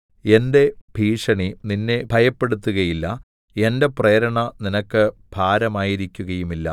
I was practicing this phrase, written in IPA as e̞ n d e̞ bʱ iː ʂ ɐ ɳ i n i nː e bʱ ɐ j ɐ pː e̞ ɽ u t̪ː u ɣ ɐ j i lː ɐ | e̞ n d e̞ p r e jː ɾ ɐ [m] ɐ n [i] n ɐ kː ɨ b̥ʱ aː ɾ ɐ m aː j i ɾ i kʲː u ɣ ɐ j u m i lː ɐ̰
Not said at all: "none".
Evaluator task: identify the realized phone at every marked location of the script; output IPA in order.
ɳ, i

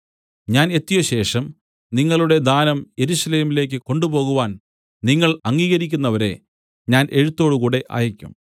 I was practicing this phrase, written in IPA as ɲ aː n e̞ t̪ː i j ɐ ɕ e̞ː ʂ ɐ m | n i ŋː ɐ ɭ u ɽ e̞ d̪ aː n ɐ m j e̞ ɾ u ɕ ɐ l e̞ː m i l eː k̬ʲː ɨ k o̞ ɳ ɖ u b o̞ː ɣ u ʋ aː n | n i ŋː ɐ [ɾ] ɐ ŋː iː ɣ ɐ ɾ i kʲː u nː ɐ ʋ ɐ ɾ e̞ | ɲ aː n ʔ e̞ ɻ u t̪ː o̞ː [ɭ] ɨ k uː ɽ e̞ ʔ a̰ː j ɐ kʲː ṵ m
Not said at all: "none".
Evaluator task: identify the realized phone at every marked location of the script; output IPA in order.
ɭ, ɽ

